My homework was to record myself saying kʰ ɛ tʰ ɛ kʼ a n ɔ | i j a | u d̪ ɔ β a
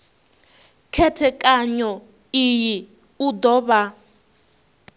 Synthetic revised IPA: kʰ ɛ tʰ ɛ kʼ a ɲ ɔ | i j i | u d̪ ɔ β a